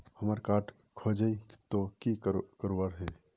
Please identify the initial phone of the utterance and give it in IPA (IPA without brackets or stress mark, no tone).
h